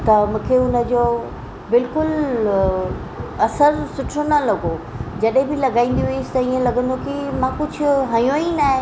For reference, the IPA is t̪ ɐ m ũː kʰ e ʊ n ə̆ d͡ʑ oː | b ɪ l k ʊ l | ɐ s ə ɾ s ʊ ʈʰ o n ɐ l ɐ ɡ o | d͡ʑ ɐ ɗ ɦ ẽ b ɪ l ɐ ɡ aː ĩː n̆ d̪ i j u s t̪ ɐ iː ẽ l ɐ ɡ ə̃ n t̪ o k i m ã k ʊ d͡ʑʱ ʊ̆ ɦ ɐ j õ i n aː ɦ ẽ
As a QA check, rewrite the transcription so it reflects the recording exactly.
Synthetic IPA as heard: t̪ ɐ m ũː kʰ e ʊ n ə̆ d͡ʑ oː | b ɪ l k ʊ l | ɐ s ə ɾ s ʊ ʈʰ o n ɐ l ɐ ɡ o | d͡ʑ ɐ ɗ ɦ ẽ b ɪ l ɐ ɡ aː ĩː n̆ d̪ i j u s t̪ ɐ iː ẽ l ɐ ɡ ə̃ n d̪ o k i m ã k ʊ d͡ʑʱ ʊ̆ ɦ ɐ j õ i n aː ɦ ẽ